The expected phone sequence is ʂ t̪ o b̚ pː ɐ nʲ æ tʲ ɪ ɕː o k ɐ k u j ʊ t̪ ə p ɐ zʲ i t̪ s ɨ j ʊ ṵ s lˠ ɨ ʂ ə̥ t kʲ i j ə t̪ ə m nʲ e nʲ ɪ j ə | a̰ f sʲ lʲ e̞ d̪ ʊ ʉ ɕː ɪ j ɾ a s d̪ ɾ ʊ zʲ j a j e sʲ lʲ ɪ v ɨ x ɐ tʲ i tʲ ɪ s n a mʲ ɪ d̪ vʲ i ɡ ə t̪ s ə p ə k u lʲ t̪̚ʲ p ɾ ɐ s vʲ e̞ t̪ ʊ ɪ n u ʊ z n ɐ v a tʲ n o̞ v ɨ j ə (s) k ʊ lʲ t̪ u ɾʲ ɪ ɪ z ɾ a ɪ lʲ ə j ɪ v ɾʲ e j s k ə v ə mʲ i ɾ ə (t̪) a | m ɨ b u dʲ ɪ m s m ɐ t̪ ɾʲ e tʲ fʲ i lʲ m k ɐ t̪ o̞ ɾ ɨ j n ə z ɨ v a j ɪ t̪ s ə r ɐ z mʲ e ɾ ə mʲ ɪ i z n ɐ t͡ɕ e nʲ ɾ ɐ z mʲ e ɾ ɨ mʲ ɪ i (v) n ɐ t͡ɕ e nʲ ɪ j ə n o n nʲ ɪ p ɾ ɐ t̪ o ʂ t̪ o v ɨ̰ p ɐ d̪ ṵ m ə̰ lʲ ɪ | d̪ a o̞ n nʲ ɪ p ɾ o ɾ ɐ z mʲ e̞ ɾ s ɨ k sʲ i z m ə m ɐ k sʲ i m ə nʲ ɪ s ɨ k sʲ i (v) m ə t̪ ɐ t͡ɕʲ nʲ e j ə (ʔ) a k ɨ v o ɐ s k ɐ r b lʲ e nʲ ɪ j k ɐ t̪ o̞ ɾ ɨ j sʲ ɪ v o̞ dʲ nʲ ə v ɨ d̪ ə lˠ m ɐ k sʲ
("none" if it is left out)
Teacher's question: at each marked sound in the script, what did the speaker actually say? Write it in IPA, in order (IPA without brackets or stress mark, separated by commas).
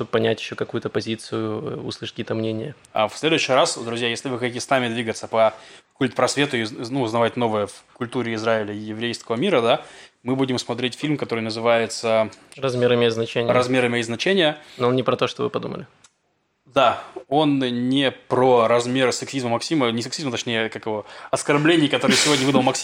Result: f, d̪, z, z, k